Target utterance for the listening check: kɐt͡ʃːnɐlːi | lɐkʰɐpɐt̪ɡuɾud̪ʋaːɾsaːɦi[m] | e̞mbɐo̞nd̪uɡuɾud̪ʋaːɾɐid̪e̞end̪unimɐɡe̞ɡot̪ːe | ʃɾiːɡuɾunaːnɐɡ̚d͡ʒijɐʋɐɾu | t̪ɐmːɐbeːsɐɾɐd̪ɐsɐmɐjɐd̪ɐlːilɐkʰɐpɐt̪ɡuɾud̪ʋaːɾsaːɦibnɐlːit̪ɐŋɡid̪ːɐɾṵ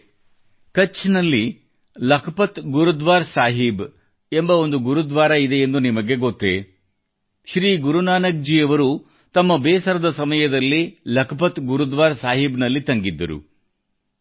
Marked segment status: incorrect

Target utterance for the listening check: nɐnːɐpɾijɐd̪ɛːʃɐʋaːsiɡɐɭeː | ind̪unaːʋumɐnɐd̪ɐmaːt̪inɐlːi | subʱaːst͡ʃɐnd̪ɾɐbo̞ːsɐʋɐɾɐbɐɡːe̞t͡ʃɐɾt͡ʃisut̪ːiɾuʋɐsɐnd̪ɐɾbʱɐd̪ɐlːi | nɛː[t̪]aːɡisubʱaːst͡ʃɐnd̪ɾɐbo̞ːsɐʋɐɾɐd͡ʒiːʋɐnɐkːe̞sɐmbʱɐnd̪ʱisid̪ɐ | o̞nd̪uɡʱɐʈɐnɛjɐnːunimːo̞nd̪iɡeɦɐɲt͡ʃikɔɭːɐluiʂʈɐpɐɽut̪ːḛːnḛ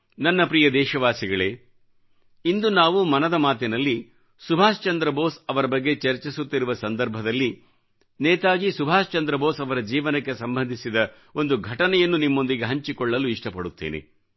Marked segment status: correct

